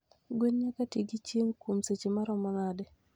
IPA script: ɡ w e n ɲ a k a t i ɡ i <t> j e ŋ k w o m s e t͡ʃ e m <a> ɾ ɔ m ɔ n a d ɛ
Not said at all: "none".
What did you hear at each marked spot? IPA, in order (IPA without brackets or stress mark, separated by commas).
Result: t͡ʃ, a